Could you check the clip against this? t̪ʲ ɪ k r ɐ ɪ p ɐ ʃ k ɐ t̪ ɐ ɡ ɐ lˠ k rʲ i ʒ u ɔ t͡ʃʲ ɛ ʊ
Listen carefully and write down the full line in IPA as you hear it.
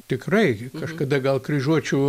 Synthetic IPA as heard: t̪ʲ ɪ k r ɐ ɪ k ɐ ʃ k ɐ d̪ ɐ ɡ ɐ lˠ k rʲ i ʒ u ɔ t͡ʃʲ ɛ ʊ

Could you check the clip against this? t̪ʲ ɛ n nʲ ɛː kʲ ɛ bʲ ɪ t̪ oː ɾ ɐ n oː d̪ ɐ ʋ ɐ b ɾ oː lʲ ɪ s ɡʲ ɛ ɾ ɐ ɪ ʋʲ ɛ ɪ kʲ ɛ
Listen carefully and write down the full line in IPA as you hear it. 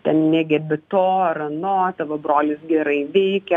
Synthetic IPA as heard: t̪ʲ ɛ n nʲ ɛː ɡʲ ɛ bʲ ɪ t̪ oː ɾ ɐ n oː t̪ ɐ ʋ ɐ b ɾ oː lʲ ɪ s ɡʲ ɛ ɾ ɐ ɪ ʋʲ ɛ ɪ kʲ ɛ

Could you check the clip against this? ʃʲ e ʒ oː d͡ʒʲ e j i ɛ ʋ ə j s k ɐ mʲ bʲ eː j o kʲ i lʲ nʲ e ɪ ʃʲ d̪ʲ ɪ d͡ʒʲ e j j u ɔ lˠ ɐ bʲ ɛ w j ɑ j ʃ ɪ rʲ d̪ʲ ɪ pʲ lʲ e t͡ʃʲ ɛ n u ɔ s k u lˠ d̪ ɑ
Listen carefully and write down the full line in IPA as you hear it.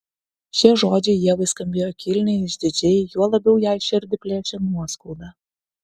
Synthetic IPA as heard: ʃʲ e ʒ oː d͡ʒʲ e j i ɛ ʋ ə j s k ɐ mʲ bʲ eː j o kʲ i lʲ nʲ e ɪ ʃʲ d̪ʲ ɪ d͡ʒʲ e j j u ɔ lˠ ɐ bʲ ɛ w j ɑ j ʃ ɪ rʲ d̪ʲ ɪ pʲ lʲ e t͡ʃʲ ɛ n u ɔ s k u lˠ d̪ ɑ

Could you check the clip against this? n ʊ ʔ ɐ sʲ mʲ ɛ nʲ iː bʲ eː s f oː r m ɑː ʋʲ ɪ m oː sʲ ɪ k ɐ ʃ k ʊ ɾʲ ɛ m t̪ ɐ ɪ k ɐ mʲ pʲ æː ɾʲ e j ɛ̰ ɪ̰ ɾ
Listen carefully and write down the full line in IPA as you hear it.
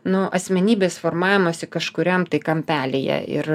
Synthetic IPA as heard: n ʊ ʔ ɐ sʲ mʲ ɛ nʲ iː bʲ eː s f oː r m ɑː ʋʲ ɪ m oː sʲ ɪ k ɐ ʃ k ʊ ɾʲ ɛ m t̪ ɐ ɪ k ɐ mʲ pʲ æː lʲ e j ɛ̰ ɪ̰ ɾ

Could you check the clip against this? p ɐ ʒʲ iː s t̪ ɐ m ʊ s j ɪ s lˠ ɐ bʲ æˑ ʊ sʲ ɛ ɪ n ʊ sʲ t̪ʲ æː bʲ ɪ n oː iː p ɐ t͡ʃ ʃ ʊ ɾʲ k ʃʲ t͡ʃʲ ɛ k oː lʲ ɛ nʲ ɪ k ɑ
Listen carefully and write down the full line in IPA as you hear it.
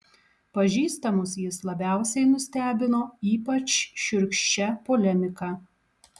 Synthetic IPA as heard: p ɐ ʒʲ iː s t̪ ɐ m ʊ s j ɪ s lˠ ɐ bʲ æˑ ʊ sʲ ɛ ɪ n ʊ sʲ t̪ʲ æː bʲ ɪ n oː iː p ɐ t͡ʃ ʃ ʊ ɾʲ k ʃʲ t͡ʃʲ ɛ p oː lʲ ɛ mʲ ɪ k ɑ

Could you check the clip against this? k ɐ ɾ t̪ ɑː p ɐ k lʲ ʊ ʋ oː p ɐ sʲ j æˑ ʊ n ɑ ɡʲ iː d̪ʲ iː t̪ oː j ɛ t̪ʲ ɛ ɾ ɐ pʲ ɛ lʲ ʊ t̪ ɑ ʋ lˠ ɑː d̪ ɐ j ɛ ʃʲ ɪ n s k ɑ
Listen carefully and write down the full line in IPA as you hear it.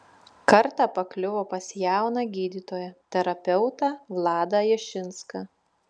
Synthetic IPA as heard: k ɐ ɾ t̪ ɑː p ɐ k lʲ ʊ ʋ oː p ɐ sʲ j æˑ ʊ n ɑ ɡʲ iː d̪ʲ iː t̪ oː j ɛ t̪ʲ ɛ ɾ ɐ pʲ ɛ ʊ t̪ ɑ ʋ lˠ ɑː d̪ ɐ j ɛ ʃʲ ɪ n s k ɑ

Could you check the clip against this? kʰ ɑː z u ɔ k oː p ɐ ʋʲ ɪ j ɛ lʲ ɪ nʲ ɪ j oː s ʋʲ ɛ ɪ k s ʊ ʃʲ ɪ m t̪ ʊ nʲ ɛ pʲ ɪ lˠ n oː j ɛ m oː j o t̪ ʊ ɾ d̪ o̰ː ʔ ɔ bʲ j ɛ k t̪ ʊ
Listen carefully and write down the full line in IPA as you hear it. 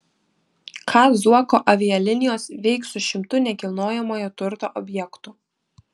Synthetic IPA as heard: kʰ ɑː z u ɔ k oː ʔ ɐ ʋʲ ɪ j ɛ lʲ ɪ nʲ ɪ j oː s ʋʲ ɛ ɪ k s ʊ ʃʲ ɪ m t̪ ʊ nʲ ɛ kʲ ɪ lˠ n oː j ɛ m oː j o t̪ ʊ ɾ t̪ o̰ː ʔ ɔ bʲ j ɛ k t̪ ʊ

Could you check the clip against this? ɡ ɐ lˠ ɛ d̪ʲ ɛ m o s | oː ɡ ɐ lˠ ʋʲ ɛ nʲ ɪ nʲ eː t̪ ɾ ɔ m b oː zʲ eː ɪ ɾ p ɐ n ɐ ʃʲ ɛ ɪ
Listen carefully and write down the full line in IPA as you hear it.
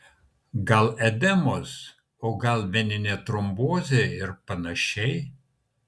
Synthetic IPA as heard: ɡ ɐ lˠ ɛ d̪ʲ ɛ m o s | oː ɡ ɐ lˠ ʋʲ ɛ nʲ ɪ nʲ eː t̪ ɾ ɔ m b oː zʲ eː ɪ ɾ p ɐ n ɐ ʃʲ ɛ ɪ

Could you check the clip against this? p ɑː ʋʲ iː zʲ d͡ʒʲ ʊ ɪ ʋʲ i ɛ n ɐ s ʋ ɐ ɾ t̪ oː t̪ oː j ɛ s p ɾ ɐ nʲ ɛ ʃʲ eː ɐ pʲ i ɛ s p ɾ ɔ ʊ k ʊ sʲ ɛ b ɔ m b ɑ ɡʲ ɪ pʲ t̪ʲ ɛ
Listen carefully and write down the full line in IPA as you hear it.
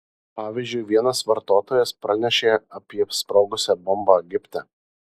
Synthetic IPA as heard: p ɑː ʋʲ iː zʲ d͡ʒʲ ʊ ɪ ʋʲ i ɛ n ɐ s ʋ ɐ ɾ t̪ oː t̪ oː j ɛ s p ɾ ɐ nʲ ɛ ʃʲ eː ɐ pʲ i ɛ s p ɾ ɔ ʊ ɡ ʊ sʲ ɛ b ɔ m b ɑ ɡʲ ɪ pʲ t̪ʲ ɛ

